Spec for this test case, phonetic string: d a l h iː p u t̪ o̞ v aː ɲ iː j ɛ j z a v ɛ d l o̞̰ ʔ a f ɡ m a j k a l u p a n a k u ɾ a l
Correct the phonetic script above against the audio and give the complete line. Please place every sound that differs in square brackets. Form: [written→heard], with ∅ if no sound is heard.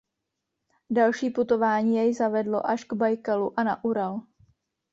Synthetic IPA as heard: d a l [h→ʃ] iː p u t̪ o̞ v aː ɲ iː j ɛ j z a v ɛ d l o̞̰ ʔ a [f→ʃ] ɡ [m→b] a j k a l u [p→ʔ] a n a [k→ʔ] u ɾ a l